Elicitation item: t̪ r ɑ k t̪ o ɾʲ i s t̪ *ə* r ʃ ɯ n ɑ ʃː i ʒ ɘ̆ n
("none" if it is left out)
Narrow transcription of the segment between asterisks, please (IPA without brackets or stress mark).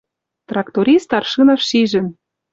ɑ